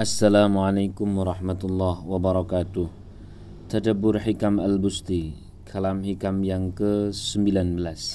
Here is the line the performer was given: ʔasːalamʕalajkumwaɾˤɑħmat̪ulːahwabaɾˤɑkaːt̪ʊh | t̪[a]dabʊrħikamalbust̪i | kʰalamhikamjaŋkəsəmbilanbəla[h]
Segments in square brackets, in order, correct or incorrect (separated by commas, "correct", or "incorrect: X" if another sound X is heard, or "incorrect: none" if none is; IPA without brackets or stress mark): correct, incorrect: s